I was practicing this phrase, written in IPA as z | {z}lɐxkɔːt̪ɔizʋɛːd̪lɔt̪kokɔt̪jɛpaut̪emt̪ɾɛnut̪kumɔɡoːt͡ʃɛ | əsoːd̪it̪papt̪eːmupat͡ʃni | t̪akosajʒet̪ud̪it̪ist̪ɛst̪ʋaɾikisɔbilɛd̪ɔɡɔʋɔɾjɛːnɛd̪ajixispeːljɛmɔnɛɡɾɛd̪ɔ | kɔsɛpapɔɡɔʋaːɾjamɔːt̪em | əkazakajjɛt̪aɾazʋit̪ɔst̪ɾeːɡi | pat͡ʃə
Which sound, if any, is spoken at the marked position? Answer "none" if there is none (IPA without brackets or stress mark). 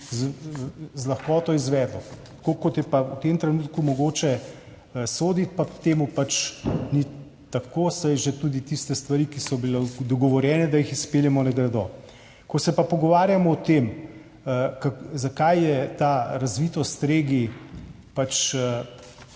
z